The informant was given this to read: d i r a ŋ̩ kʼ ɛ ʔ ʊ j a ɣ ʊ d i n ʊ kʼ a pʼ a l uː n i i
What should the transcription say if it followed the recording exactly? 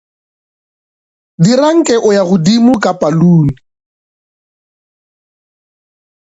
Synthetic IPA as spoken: d i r a ŋ̩ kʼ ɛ ʔ ʊ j a ɣ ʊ d i m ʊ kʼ a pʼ a l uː n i i